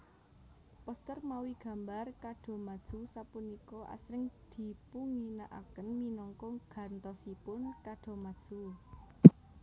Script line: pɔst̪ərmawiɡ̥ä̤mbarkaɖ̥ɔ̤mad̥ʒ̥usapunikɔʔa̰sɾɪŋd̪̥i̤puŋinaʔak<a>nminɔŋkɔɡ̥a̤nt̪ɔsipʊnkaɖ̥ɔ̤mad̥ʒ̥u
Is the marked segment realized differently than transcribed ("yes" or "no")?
yes